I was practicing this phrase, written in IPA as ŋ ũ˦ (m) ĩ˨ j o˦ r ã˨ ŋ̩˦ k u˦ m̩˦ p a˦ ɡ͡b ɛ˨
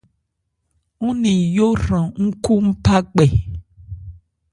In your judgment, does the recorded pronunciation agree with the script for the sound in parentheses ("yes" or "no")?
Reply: no